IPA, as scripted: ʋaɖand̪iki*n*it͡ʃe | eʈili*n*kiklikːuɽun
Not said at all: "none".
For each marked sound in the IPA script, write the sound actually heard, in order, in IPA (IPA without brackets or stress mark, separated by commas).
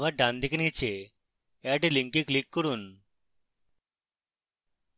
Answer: n, ŋ